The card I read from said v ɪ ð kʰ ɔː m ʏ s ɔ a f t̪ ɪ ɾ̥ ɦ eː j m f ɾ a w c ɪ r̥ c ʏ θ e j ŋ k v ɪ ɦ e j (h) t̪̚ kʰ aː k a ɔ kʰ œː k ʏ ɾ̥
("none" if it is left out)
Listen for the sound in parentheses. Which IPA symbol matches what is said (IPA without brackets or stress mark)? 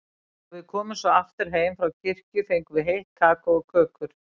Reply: h